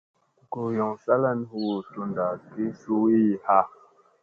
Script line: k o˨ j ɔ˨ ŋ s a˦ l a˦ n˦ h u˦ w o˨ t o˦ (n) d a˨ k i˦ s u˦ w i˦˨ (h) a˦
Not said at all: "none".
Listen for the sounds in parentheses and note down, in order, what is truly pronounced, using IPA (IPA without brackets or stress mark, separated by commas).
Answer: n, h